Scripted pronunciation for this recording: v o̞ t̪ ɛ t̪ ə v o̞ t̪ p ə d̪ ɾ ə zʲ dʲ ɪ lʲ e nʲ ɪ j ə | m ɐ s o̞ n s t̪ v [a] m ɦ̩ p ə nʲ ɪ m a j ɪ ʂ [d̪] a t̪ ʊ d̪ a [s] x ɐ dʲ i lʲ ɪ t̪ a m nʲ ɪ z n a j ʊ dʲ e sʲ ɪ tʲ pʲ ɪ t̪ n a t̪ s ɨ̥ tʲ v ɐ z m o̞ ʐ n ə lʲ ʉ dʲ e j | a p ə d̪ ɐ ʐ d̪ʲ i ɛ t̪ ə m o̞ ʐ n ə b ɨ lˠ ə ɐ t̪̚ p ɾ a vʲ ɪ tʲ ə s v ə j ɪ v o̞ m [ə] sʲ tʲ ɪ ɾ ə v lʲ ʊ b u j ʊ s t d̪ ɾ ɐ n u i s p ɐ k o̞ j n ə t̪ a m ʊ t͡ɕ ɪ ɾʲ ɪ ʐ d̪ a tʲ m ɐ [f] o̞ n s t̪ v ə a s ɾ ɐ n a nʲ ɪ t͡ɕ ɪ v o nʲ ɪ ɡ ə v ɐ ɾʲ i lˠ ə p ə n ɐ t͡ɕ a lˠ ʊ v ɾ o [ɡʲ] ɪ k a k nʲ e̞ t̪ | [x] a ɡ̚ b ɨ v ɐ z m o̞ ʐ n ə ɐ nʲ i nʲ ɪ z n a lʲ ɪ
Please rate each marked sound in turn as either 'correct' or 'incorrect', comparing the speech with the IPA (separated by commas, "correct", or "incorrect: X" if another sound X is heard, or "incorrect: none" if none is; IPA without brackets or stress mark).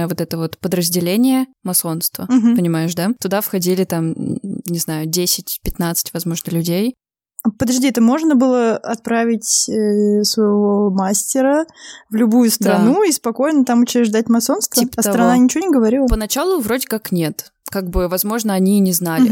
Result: incorrect: ə, correct, incorrect: f, incorrect: a, incorrect: s, incorrect: dʲ, incorrect: k